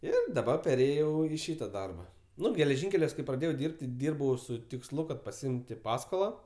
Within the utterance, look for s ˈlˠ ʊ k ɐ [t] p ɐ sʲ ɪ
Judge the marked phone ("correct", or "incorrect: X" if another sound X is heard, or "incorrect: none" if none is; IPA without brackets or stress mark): correct